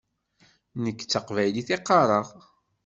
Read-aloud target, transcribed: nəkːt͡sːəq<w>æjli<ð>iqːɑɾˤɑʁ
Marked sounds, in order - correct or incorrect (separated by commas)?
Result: incorrect, incorrect